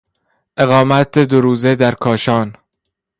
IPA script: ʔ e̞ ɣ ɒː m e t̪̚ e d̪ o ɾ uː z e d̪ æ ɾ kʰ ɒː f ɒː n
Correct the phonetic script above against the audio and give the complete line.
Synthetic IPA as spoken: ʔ e̞ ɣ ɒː m æ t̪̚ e d̪ o ɾ uː z e d̪ æ ɾ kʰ ɒː ʃ ɒː n

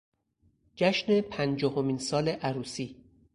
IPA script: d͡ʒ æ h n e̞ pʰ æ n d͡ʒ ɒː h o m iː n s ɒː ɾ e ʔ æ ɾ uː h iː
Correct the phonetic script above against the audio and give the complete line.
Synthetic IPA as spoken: d͡ʒ æ ʃ n e̞ pʰ æ n d͡ʒ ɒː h o m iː n s ɒː l e ʔ æ ɾ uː s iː

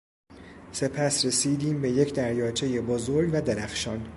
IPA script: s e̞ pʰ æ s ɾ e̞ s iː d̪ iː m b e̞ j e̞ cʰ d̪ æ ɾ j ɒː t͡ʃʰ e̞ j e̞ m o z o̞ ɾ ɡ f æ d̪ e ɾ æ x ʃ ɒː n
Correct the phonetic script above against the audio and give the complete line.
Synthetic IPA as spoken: s e̞ pʰ æ s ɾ e̞ s iː d̪ iː m b e̞ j e̞ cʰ d̪ æ ɾ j ɒː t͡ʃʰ e̞ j e̞ b o z o̞ ɾ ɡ v æ d̪ e ɾ æ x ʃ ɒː n

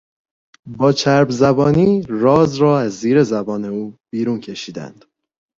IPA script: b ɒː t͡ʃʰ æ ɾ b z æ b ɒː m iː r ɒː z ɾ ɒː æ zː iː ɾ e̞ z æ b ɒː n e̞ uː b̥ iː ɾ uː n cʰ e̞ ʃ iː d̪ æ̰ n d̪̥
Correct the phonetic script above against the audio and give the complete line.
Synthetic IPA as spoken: b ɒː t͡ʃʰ æ ɾ b z æ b ɒː n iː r ɒː z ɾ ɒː æ zː iː ɾ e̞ z æ b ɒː n e̞ uː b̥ iː ɾ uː n cʰ e̞ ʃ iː d̪ æ̰ n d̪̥

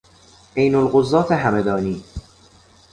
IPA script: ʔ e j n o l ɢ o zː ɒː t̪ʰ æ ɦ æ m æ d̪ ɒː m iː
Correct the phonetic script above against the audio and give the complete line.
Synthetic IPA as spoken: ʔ e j n o l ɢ o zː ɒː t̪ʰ e ɦ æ m e d̪ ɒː n iː

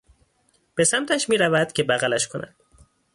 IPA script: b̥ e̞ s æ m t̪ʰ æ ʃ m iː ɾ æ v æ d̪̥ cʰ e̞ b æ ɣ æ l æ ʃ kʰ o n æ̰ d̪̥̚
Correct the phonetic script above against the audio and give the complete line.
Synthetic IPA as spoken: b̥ e̞ s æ m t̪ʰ æ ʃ m iː ɾ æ v æ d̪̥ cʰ e̞ b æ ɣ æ l æ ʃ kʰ o n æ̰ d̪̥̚

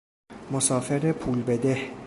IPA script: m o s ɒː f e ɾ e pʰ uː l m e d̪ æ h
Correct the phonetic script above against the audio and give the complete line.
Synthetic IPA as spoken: m o s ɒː f e ɾ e pʰ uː l b e d̪ e h

